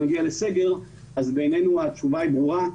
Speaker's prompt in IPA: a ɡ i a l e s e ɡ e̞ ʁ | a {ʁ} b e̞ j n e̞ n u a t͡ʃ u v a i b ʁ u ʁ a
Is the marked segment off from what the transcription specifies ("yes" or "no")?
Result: yes